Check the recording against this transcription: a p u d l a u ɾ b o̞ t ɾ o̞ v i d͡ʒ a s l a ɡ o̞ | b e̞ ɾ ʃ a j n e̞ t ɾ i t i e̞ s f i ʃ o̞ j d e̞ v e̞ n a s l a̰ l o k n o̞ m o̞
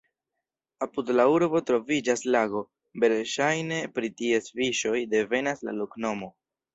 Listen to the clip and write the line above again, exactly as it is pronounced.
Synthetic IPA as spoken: a p u d l a u ɾ b o̞ t ɾ o̞ v i d͡ʒ a s l a ɡ o̞ | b e̞ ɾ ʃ a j n e̞ p ɾ i t i e̞ s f i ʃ o̞ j d e̞ v e̞ n a s l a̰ l o k n o̞ m o̞